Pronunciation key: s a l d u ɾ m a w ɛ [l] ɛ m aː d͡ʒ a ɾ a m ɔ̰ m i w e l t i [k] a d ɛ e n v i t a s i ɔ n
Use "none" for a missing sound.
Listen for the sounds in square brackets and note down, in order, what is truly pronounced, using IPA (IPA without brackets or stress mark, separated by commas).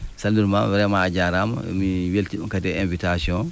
ɾ, k